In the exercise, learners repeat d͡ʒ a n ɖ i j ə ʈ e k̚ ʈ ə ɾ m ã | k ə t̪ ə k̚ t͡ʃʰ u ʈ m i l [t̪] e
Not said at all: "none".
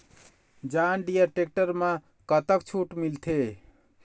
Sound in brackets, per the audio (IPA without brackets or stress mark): t̪ʰ